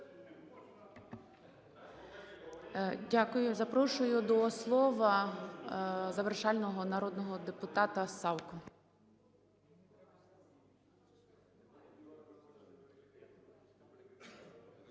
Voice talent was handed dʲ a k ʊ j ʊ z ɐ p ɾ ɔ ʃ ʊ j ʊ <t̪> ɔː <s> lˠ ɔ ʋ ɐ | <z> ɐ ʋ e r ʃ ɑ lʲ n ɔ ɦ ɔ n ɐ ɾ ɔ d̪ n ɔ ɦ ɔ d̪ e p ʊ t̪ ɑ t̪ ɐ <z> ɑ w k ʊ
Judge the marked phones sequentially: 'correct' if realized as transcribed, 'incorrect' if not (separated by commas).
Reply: incorrect, correct, correct, incorrect